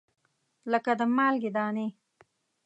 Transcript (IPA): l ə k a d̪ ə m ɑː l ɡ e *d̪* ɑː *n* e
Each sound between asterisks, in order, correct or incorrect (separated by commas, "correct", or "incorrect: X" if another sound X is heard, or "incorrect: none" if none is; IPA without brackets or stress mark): correct, correct